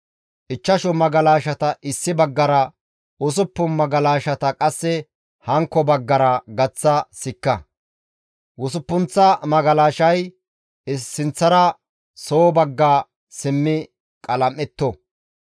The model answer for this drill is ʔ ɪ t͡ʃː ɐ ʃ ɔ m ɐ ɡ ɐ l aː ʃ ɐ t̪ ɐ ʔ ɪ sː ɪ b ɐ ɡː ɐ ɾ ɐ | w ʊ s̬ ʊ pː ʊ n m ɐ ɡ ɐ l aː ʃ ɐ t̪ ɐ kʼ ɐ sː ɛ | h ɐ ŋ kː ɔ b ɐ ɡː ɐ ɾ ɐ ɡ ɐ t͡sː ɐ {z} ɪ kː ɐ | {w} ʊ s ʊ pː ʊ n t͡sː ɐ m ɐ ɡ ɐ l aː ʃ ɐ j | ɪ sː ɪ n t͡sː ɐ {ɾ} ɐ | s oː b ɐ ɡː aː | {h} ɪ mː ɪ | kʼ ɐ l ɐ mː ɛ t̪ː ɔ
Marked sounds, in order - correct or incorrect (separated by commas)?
incorrect, correct, correct, incorrect